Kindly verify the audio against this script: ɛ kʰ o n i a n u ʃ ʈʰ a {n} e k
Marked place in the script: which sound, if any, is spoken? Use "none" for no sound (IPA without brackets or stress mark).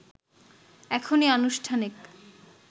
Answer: n